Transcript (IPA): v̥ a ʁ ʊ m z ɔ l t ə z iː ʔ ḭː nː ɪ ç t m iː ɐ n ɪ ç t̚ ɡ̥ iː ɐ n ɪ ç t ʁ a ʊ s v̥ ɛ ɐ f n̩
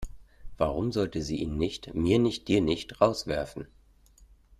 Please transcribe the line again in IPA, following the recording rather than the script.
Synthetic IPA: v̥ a ʁ ʊ m z ɔ l t ə z iː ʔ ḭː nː ɪ ç t m iː ɐ n ɪ ç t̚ d̥ iː ɐ n ɪ ç t ʁ a ʊ s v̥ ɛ ɐ f n̩

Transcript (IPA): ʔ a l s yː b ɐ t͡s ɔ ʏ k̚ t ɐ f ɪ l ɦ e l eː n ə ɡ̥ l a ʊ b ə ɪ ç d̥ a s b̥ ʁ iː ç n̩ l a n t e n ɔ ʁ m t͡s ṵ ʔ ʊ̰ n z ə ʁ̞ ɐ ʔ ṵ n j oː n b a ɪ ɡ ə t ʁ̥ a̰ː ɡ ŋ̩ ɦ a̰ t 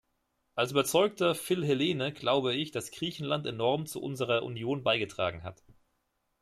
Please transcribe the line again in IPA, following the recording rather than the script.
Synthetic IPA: ʔ a l s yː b ɐ t͡s ɔ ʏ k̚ t ɐ f ɪ l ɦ e l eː n ə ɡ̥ l a ʊ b ə ɪ ç d̥ a s ɡ̥ ʁ iː ç n̩ l a n t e n ɔ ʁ m t͡s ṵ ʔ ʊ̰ n z ə ʁ̞ ɐ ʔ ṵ n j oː n b a ɪ ɡ ə t ʁ̥ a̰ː ɡ ŋ̩ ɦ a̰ t

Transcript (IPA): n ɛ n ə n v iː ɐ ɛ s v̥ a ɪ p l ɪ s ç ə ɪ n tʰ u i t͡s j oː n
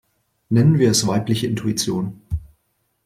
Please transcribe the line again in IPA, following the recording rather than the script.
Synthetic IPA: n ɛ n ə n v iː ɐ ɛ s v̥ a ɪ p l ɪ ç ə ɪ n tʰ u i t͡s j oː n

